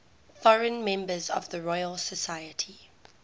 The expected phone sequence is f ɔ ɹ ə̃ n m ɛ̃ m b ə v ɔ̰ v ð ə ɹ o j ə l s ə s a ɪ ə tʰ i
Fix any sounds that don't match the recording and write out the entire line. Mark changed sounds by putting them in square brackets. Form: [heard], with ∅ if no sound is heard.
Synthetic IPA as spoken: f ɔ ɹ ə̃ n m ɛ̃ m b ə [z] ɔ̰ v ð ə ɹ [ɔ] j ə l s ə s a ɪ ə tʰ i